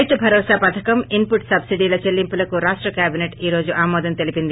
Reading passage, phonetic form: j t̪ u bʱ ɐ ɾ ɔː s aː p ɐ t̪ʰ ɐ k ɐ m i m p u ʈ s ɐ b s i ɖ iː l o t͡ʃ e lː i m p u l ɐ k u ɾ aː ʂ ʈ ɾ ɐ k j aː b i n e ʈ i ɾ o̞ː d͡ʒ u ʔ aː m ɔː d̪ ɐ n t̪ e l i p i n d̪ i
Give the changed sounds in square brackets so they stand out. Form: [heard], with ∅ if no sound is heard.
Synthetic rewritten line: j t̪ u bʱ ɐ ɾ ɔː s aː p ɐ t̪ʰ ɐ k ɐ m i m p u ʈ s ɐ b s i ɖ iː l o t͡ʃ e lː i m p u l ɐ k u ɾ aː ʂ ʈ ɾ ɐ k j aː b i n e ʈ [iː] ɾ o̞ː d͡ʒ u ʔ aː m ɔː d̪ ɐ n t̪ e l i p i n d̪ i